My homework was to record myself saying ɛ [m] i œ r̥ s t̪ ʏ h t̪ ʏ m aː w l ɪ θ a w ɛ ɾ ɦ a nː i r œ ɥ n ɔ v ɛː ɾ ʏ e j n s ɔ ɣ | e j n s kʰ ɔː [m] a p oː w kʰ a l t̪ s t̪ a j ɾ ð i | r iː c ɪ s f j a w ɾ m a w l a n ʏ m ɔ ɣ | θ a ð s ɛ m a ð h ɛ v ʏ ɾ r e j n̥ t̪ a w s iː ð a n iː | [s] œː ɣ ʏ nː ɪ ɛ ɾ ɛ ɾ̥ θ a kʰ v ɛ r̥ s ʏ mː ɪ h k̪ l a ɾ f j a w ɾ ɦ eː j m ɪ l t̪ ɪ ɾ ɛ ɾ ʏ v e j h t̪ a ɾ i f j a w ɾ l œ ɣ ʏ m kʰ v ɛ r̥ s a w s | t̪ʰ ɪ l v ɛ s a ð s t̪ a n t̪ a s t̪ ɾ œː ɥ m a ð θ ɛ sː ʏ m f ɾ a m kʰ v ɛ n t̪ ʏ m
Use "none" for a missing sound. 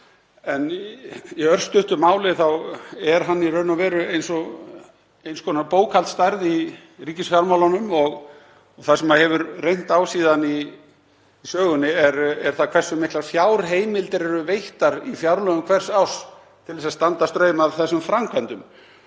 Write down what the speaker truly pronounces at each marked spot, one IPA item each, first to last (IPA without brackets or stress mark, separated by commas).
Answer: n, n, s